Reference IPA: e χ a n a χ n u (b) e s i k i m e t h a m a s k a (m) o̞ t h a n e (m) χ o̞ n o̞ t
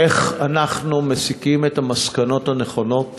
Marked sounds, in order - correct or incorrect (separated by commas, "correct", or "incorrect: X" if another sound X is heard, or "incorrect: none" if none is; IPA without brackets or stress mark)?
incorrect: m, incorrect: n, incorrect: none